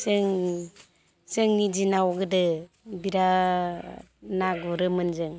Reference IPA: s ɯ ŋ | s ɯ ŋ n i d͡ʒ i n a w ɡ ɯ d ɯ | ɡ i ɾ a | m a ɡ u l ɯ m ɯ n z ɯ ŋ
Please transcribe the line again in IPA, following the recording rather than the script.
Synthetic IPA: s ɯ ŋ | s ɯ ŋ n i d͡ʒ i n a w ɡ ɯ d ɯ | b i ɾ a | n a ɡ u ɾ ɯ m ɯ n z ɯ ŋ

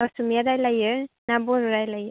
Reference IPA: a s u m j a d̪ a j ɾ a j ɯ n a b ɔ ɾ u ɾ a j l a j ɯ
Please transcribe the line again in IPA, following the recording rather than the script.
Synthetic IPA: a s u m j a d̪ a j l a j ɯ n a b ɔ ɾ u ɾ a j l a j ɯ

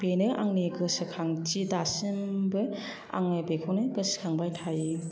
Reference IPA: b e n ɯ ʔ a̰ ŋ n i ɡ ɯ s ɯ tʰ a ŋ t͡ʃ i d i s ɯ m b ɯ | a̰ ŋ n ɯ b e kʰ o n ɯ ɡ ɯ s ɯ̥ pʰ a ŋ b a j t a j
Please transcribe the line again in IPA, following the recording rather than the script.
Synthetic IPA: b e n ɯ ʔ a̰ ŋ n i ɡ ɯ s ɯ kʰ a ŋ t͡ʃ i d a s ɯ m b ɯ | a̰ ŋ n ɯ b e kʰ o n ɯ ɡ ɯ s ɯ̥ kʰ a ŋ b a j tʰ a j

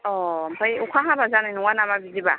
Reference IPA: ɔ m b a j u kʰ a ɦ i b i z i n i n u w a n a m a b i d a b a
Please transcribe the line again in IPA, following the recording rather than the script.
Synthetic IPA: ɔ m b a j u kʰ a ɦ a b a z a n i n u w a n a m a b i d i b a

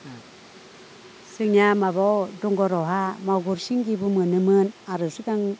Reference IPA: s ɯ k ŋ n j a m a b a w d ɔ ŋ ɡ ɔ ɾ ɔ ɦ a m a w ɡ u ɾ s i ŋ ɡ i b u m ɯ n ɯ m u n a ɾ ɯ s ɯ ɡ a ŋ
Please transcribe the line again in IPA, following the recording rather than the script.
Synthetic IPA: s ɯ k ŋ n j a m a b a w d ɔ ŋ ɡ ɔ ɾ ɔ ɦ a m a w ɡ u ɾ s i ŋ ɡ i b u m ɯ n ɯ m ɯ n a ɾ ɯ s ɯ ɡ a ŋ

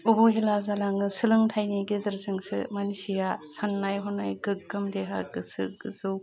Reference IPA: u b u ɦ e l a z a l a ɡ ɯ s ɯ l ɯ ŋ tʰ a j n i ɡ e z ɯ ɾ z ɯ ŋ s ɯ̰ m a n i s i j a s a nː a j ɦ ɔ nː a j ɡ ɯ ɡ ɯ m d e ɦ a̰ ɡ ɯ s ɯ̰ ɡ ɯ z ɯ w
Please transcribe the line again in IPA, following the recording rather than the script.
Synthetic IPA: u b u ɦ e l a z a l a ŋ ɯ s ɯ l ɯ ŋ tʰ a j n i ɡ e z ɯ ɾ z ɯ ŋ s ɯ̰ m a n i s i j a s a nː a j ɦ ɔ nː a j ɡ ɯ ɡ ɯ m d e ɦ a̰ ɡ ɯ s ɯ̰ ɡ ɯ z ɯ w

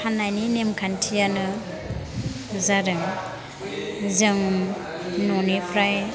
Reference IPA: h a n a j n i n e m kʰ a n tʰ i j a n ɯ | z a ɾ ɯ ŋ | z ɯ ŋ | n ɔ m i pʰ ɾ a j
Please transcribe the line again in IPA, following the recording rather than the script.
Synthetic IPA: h a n a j n i n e m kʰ a n tʰ i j a n ɯ | z a ɾ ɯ ŋ | z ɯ ŋ | n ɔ n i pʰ ɾ a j

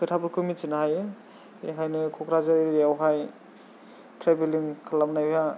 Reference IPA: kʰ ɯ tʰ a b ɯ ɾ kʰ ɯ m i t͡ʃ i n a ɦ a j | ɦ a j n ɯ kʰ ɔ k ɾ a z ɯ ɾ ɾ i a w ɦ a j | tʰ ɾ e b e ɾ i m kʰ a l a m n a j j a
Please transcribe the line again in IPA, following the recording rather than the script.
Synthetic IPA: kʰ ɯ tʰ a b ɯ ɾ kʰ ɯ m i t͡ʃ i n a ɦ a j | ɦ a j n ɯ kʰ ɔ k ɾ a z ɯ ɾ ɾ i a w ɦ a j | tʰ ɾ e b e l i ŋ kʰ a l a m n a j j a

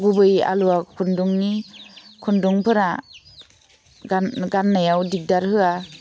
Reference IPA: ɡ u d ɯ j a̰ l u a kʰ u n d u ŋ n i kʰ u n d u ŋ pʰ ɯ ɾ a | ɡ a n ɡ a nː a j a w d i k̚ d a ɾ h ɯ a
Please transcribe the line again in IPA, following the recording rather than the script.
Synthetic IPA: ɡ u b ɯ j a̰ l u a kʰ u n d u ŋ n i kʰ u n d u ŋ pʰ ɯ ɾ a | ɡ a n ɡ a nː a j a w d i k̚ d a ɾ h ɯ a

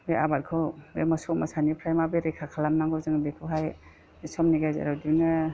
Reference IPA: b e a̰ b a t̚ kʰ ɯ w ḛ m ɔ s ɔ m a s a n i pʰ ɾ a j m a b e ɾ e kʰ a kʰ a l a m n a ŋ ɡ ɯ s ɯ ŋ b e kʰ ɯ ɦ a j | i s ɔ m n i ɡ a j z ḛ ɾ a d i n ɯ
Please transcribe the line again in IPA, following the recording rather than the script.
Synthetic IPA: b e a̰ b a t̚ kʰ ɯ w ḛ m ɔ s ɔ m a s a n i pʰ ɾ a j m a b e ɾ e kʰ a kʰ a l a m n a ŋ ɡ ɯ z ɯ ŋ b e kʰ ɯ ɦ a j | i s ɔ m n i ɡ a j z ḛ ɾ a d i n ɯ

